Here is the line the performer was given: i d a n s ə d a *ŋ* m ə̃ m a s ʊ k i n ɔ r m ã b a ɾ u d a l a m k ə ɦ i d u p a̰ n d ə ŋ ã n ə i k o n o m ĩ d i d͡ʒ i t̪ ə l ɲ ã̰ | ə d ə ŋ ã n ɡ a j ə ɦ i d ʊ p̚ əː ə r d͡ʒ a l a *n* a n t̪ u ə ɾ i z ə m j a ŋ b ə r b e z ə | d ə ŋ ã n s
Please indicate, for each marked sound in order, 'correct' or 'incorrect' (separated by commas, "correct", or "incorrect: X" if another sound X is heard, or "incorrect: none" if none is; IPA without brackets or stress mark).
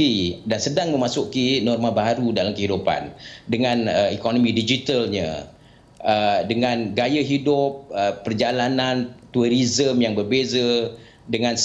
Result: correct, correct